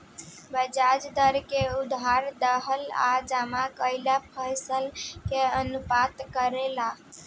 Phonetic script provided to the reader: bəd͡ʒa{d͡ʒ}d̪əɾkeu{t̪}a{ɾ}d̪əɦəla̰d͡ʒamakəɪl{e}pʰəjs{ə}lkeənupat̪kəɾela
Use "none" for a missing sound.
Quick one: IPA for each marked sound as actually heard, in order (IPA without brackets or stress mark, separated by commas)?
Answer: d͡ʒ, d̪, ɾ, a, ə